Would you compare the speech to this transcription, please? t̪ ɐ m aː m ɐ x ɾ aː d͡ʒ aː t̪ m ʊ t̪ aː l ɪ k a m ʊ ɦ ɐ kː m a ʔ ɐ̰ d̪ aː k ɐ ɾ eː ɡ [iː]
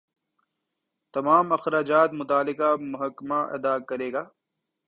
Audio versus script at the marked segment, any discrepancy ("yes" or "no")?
yes